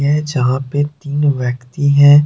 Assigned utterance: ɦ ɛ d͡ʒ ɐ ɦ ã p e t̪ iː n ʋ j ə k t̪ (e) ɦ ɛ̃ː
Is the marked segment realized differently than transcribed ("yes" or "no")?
yes